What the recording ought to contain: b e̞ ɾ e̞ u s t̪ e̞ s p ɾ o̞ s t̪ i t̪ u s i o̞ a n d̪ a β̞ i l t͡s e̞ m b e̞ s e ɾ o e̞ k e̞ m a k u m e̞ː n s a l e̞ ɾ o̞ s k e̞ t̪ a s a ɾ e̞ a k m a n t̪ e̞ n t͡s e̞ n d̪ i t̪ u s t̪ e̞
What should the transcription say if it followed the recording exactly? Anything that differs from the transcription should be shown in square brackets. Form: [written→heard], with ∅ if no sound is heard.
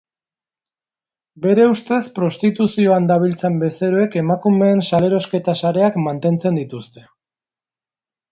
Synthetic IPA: b e̞ ɾ e̞ u s t̪ e̞ s p ɾ o̞ s t̪ i t̪ u s i o̞ a n d̪ a β̞ i l t͡s e̞ m b e̞ s e ɾ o e̞ k e̞ m a k u m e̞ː n s a l e̞ ɾ o̞ s k e̞ t̪ a s a ɾ e̞ a k m a n t̪ e̞ n t͡s e̞ n d̪ i t̪ u s t̪ e̞